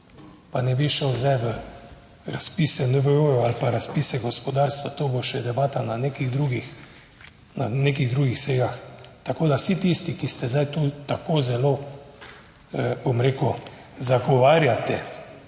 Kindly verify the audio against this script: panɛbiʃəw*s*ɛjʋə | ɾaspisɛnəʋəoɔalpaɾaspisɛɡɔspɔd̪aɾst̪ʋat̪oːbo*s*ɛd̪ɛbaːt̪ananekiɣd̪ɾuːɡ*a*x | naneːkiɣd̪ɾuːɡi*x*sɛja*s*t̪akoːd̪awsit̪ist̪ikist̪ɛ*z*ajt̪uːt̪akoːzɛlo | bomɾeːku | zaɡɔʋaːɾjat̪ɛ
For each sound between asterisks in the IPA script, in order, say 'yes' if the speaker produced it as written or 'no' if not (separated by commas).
no, no, no, yes, no, yes